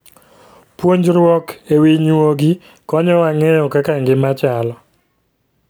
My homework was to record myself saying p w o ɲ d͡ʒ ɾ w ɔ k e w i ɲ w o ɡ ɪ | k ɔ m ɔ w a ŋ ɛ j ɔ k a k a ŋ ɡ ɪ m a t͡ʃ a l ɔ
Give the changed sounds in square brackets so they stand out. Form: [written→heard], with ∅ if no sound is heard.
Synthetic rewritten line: p w o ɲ d͡ʒ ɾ w ɔ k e w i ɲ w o ɡ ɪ | k ɔ [m→ɲ] ɔ w a ŋ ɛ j ɔ k a k a ŋ ɡ ɪ m a t͡ʃ a l ɔ